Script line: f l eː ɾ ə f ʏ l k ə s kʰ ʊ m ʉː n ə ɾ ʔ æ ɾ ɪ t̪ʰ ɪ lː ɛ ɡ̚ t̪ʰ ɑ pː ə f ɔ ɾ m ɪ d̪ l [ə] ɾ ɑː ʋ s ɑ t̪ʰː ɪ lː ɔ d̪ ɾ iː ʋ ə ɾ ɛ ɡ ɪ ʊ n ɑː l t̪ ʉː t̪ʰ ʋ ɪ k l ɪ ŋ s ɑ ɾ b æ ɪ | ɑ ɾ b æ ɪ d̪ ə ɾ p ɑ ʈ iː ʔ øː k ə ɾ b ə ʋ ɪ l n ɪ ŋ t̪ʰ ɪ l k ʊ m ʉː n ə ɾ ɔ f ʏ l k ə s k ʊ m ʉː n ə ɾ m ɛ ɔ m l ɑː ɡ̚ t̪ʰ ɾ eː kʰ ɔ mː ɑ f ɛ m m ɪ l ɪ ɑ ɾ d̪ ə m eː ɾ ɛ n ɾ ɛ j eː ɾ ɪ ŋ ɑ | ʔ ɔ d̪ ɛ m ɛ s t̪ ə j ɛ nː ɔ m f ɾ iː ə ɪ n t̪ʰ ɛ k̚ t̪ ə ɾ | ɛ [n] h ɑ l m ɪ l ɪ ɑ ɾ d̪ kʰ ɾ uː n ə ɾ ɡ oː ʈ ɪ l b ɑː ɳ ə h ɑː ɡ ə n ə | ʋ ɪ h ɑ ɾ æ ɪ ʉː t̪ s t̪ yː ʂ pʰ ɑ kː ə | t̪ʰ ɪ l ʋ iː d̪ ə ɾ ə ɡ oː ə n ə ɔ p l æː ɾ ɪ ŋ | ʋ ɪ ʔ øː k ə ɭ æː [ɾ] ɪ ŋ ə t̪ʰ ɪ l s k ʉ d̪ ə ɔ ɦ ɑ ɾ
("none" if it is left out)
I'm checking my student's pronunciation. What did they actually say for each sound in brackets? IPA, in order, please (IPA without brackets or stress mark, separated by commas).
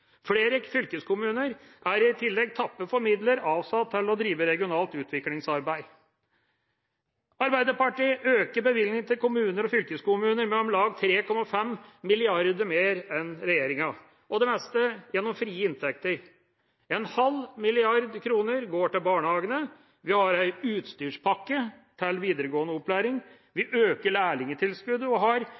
ə, n, ɭ